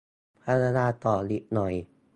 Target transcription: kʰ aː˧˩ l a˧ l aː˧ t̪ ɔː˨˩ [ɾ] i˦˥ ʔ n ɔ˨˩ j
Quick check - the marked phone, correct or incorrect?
incorrect